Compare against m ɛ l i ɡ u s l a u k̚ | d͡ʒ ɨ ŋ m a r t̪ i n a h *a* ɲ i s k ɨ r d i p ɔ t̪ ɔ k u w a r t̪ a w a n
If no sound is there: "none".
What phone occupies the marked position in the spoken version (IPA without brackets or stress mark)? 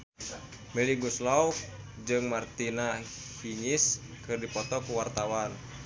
i